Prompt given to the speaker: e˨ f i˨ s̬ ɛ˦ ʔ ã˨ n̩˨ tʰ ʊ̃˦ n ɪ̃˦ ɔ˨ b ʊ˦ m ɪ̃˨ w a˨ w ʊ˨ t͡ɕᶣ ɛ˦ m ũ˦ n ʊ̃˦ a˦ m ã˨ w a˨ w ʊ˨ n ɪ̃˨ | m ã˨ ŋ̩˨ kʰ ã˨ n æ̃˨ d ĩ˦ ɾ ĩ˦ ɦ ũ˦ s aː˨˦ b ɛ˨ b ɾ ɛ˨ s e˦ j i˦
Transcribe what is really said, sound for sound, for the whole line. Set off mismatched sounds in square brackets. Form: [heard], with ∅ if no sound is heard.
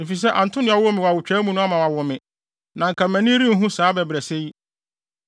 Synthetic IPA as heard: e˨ f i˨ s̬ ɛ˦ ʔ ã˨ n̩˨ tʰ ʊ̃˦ n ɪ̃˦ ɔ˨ [w] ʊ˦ m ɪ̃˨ w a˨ w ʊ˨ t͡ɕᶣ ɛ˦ m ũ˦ n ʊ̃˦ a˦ m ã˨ w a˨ w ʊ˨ [m] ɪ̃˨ | [n] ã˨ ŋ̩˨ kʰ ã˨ [m] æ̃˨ [n] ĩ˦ ɾ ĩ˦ ɦ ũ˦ s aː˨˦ b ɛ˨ b ɾ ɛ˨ s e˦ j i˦